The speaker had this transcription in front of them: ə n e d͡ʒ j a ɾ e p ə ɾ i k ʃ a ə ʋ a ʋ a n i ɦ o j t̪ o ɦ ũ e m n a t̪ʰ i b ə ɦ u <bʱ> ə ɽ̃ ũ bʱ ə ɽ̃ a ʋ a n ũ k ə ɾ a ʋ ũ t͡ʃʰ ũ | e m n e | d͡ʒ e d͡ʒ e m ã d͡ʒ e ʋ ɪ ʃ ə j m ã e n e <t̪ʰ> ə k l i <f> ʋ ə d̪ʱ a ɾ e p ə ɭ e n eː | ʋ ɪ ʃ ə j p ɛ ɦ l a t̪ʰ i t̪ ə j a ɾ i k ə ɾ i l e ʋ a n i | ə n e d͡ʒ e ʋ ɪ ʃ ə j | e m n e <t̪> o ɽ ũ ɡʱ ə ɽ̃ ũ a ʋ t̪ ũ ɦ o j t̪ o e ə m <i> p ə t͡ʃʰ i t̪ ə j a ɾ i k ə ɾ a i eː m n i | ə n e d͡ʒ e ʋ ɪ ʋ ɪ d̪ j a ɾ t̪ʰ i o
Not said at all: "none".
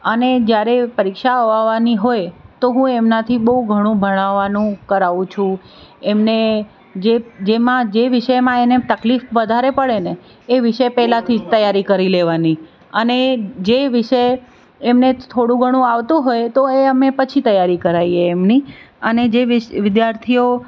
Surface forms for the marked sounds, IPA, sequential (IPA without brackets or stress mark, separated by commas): ɡʱ, t̪, f, t̪ʰ, e